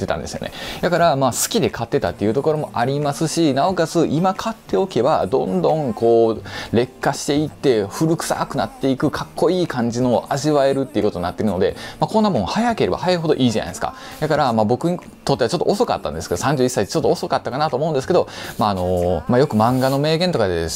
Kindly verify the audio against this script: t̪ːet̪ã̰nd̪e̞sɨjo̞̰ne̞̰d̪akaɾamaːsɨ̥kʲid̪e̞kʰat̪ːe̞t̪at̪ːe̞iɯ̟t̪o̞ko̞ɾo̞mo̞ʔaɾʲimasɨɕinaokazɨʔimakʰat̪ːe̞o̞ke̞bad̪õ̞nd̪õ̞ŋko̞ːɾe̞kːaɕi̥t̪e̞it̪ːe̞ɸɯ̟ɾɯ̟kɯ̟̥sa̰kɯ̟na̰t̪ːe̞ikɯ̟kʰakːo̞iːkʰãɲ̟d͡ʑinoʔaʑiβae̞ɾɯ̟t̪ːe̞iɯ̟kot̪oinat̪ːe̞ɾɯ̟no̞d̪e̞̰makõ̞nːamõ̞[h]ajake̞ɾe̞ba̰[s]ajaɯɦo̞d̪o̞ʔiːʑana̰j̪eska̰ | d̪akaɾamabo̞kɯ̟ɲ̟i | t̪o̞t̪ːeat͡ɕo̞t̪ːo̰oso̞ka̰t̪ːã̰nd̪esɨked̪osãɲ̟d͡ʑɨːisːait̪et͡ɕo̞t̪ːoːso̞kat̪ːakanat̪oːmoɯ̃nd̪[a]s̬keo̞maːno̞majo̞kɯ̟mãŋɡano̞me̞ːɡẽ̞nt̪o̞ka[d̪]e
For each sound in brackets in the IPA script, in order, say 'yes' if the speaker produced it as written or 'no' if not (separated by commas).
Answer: yes, no, no, yes